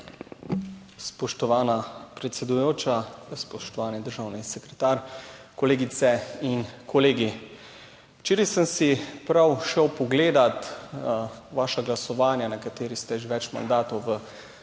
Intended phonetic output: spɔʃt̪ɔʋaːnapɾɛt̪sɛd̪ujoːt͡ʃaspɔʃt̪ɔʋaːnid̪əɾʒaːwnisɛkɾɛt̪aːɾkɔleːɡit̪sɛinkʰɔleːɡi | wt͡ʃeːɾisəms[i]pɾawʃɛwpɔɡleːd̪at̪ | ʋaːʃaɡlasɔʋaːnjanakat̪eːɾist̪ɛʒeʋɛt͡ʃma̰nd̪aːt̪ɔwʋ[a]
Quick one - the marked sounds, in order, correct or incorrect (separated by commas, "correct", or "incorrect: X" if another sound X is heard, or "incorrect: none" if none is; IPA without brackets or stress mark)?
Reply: correct, incorrect: ə